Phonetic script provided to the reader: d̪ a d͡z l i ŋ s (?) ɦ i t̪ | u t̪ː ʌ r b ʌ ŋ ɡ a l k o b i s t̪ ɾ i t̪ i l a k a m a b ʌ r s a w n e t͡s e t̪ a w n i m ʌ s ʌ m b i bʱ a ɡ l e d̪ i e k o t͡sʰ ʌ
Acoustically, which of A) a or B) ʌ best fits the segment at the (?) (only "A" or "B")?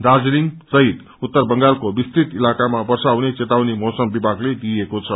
B